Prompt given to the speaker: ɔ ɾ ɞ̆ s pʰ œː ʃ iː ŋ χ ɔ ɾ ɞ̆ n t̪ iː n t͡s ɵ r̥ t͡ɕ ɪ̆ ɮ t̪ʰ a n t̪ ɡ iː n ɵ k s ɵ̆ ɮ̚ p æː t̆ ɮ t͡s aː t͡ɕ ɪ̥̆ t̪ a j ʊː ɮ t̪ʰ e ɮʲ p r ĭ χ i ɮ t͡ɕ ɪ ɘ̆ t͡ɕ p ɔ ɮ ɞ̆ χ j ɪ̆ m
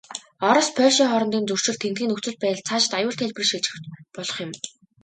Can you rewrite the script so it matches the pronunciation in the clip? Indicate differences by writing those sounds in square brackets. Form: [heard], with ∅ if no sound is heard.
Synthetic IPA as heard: ɔ ɾ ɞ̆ s pʰ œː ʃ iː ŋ χ ɔ ɾ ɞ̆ n t̪ iː n t͡s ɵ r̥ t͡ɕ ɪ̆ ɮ t̪ʰ [e] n t̪ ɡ iː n ɵ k [t͡s] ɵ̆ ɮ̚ p æː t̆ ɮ [t͡sʰ] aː t͡ɕ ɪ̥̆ t̪ a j ʊː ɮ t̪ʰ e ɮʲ p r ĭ [ʃ] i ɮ t͡ɕ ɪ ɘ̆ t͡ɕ p ɔ ɮ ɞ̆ χ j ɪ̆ m